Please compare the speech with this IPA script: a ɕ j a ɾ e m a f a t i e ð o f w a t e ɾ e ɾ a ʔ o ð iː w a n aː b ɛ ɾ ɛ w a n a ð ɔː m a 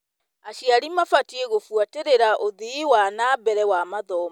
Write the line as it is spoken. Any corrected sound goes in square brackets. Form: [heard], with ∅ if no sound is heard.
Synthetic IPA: a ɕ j a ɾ [i] m a f a t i e [ɣ] o f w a t e ɾ e ɾ a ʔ o ð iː w a n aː b ɛ ɾ ɛ w a [m] a ð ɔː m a